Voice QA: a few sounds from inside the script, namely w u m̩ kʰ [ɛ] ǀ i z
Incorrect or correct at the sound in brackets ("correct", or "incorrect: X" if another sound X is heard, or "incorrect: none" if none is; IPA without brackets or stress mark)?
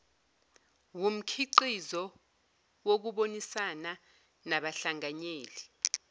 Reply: incorrect: i